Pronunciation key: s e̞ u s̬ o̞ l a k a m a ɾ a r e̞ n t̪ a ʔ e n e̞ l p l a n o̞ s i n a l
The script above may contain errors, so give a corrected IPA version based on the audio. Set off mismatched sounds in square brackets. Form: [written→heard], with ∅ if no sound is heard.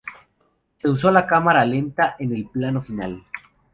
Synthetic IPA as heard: s e̞ u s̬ o̞ l a k a m a ɾ a [r→l] e̞ n t̪ a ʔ e n e̞ l p l a n o̞ [s→f] i n a l